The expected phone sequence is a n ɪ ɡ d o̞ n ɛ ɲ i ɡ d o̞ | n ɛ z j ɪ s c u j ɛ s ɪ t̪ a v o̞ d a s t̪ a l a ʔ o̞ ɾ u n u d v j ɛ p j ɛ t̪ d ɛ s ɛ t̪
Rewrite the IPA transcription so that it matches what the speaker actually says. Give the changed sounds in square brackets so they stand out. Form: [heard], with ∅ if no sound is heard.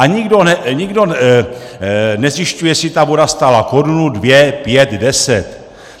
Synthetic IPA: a [ɲ] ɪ ɡ d o̞ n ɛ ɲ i ɡ d o̞ | n ɛ z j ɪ [ʃ] c u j ɛ s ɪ t̪ a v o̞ d a s t̪ a l a [k] o̞ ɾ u n u d v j ɛ p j ɛ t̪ d ɛ s ɛ t̪